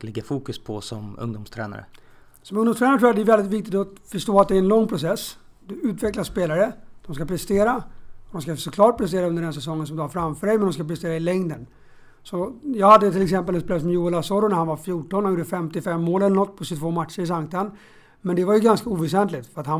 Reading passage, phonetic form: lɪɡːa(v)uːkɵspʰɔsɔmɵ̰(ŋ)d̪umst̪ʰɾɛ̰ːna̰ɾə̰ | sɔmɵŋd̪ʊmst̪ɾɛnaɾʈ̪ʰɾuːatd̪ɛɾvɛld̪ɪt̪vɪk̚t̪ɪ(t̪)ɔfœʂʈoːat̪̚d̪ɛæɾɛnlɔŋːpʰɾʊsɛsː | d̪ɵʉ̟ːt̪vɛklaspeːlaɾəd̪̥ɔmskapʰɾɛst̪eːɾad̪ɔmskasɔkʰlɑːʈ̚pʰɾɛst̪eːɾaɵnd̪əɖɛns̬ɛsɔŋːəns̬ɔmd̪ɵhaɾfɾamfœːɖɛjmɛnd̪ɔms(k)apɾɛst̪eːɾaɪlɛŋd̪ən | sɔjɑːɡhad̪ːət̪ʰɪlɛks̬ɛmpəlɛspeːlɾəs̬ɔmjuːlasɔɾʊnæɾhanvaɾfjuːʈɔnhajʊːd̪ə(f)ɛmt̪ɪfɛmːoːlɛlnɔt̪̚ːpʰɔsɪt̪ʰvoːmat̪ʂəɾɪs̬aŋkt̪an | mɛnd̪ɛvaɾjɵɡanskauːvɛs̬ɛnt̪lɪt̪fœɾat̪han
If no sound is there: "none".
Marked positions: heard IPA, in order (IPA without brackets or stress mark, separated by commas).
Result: f, ŋ, t̪, k, f